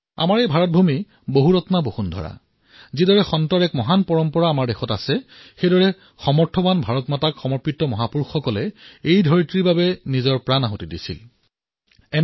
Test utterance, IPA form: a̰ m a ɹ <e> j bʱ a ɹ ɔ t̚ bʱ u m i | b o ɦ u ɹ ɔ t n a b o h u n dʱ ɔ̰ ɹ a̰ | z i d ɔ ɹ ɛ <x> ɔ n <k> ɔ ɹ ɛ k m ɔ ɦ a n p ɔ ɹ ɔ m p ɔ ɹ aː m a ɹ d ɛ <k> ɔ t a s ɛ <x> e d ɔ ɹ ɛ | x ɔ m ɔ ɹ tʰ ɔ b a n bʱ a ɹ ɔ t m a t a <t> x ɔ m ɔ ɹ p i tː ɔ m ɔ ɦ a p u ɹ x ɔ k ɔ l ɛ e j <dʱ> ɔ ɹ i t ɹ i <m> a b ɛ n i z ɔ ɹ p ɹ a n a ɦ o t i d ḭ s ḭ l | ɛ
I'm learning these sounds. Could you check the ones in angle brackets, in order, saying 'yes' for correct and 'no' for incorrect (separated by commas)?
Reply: yes, yes, no, no, yes, no, yes, no